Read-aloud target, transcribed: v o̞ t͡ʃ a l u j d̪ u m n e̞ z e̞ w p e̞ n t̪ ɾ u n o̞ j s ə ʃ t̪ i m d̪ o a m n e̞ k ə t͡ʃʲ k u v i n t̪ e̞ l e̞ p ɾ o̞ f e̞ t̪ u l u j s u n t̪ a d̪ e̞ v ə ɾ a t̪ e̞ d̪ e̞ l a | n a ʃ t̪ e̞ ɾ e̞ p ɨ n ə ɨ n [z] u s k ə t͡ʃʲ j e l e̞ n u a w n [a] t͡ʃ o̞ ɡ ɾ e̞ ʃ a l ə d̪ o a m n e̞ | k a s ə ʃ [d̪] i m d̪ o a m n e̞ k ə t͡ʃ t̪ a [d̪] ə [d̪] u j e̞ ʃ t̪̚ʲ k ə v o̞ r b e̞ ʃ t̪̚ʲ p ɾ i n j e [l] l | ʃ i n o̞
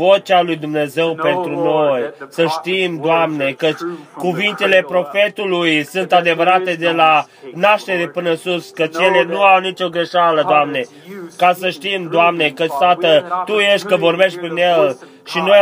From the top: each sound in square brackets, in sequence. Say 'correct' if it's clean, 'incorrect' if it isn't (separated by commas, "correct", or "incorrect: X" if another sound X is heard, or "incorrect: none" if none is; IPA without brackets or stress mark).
incorrect: s, incorrect: i, incorrect: t̪, incorrect: t̪, incorrect: t̪, correct